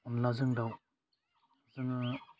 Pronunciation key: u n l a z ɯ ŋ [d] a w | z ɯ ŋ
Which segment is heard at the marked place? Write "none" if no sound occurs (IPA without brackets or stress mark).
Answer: d